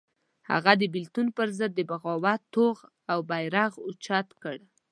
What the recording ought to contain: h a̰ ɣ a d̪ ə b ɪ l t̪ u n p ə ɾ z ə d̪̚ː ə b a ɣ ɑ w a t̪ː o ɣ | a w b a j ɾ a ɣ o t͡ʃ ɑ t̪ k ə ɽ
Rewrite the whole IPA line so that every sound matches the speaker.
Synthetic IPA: h a̰ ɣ a d̪ ə b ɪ l t̪ u n p ə ɾ z ə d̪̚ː ə b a ɣ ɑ w a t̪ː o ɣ | a w b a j ɾ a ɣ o t͡ʃ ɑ t̪ k ə ɽ